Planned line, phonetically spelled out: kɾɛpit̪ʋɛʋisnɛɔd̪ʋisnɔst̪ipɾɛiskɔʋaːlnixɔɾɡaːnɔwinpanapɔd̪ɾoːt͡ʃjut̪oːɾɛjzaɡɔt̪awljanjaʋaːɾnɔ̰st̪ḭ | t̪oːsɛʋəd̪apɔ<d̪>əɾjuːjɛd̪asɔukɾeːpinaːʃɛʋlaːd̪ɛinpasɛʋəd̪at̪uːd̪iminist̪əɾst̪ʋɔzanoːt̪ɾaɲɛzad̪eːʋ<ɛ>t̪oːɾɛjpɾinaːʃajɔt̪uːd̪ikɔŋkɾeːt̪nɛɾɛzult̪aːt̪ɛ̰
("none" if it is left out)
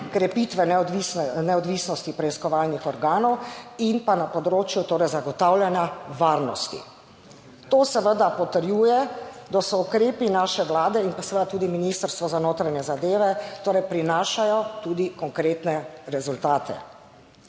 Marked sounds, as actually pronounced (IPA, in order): t̪, ɛ

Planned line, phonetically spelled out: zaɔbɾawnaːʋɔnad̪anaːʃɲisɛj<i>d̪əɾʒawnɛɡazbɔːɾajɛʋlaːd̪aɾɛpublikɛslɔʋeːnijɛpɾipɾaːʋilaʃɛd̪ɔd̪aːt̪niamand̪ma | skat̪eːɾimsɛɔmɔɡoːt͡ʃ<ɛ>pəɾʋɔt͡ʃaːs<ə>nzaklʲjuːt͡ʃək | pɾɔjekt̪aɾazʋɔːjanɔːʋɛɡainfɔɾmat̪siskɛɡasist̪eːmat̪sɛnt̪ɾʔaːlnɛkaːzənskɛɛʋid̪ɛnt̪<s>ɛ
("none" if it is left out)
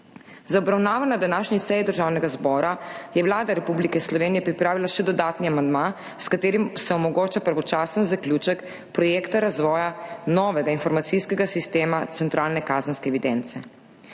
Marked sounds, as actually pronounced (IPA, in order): i, a, ə, s

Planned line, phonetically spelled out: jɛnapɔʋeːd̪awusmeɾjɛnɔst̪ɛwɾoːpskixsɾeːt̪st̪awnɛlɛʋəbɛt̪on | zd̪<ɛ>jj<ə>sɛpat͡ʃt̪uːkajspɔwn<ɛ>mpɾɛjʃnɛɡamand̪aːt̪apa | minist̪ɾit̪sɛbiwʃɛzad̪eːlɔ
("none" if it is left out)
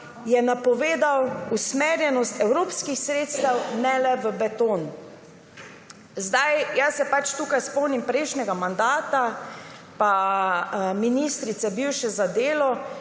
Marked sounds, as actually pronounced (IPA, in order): a, a, i

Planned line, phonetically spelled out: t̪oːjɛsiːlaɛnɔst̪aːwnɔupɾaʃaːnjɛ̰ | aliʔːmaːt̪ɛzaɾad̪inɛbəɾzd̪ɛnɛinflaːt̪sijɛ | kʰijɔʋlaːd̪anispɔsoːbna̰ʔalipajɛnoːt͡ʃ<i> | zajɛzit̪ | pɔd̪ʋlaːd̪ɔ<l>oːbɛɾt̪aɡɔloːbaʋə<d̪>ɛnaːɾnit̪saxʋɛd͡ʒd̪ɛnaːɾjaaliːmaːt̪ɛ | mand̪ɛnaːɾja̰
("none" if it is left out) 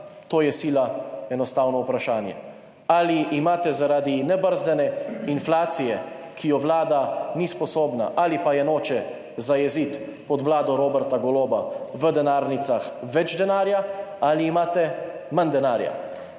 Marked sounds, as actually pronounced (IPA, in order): ɛ, ɾ, d̪

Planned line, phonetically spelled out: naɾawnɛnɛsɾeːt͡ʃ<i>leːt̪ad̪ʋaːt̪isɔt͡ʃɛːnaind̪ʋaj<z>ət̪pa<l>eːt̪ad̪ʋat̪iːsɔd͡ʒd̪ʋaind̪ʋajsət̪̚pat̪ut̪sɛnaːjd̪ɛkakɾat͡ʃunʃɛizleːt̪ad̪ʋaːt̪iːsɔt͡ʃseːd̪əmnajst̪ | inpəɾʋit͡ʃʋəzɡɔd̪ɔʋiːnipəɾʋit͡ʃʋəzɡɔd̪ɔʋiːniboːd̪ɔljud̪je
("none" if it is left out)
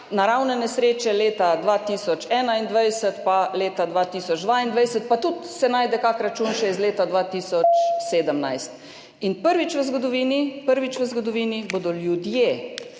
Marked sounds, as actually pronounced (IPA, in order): ɛ, s, l

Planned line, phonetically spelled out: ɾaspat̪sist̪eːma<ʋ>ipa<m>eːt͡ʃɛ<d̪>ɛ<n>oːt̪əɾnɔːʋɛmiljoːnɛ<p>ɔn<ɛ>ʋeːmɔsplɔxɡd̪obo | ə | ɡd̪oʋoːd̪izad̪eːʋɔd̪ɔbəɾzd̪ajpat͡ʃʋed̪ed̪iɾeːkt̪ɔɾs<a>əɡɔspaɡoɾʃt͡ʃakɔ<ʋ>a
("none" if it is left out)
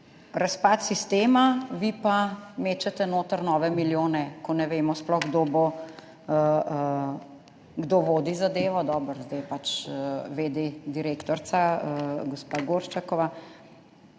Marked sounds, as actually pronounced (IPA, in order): ʋ, m, t̪, n, k, ɛ, a, ʋ

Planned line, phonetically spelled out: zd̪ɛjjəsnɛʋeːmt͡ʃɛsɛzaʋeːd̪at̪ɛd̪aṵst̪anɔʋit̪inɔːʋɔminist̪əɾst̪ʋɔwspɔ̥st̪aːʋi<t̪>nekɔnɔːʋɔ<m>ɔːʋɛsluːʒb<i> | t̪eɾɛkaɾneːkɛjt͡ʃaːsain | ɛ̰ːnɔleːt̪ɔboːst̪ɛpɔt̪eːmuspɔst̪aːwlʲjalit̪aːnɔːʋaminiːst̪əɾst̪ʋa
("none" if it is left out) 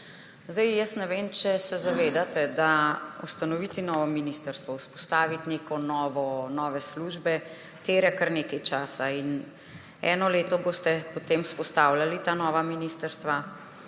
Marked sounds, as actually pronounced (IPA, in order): t̪, n, ɛ

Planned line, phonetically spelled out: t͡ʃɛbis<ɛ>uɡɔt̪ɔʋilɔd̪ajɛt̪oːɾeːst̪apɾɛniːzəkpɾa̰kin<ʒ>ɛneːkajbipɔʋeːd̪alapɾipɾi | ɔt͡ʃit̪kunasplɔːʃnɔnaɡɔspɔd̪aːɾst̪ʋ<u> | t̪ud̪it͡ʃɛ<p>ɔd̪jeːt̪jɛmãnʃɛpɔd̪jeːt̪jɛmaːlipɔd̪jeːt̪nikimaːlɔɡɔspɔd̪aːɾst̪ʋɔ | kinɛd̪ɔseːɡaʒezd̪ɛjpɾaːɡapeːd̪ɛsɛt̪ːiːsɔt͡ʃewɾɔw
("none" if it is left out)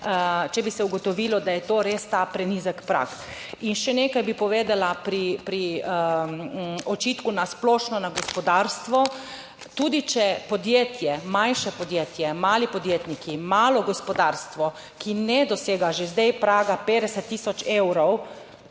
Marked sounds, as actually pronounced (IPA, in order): ɛ, ʃ, ɔ, p

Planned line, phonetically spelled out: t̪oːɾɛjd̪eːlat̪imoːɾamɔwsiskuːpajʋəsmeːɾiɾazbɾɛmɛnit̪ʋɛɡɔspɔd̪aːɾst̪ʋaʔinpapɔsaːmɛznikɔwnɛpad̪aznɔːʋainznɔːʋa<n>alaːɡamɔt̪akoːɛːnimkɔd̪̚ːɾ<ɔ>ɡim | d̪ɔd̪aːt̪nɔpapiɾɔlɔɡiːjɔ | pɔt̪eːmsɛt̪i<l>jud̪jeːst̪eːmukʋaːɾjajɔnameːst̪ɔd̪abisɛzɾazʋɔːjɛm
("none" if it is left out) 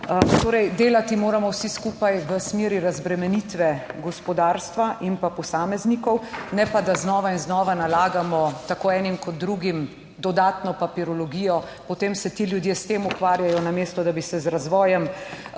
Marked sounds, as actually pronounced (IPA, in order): n, u, l

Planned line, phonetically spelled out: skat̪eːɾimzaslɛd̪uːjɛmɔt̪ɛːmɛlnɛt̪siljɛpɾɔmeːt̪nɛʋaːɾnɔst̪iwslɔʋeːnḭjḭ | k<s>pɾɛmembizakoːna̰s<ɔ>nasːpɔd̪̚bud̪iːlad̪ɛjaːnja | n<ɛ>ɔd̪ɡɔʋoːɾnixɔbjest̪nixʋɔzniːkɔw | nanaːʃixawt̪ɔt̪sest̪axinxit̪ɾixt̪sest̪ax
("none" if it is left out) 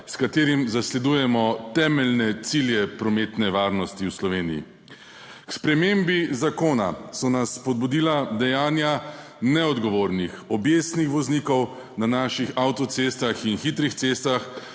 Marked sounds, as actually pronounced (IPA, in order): s, ɔ, ɛ

